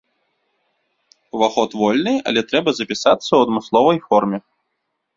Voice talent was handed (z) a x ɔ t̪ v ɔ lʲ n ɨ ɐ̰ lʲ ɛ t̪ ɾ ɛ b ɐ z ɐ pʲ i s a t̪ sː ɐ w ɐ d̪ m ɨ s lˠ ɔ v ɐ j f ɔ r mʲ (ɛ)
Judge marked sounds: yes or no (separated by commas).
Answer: no, yes